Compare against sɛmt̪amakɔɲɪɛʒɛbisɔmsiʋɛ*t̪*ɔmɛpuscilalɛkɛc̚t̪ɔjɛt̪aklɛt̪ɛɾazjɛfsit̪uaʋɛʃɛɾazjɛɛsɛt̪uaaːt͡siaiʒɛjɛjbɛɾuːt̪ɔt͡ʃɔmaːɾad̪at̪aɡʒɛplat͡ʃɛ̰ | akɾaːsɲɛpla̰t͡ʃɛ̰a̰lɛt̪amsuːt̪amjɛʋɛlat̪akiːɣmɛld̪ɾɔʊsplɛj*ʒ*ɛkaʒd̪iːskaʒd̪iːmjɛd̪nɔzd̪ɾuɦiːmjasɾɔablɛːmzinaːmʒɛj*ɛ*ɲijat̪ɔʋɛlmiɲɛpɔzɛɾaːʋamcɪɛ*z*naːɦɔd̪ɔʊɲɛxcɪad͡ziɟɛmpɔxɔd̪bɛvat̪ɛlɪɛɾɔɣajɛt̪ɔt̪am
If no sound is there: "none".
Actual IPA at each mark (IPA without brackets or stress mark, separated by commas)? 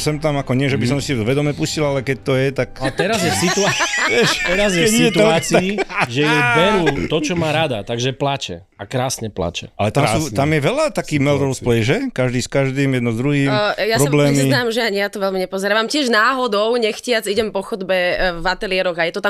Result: d̪, ʒ, a, ʒ